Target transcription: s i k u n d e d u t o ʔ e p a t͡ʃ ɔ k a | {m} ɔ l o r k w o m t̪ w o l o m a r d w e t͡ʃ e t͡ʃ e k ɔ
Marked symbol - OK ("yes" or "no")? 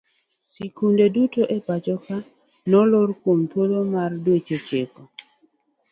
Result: no